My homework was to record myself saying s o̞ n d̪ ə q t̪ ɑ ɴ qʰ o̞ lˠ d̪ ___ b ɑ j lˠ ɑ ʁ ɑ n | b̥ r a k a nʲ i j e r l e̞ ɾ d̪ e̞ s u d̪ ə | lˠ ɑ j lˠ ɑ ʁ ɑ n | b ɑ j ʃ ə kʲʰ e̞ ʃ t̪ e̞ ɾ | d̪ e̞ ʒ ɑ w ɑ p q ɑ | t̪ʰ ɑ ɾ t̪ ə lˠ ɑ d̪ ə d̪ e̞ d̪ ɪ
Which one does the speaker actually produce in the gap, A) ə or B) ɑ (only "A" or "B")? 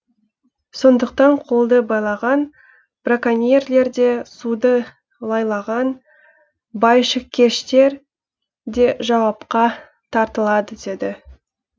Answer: A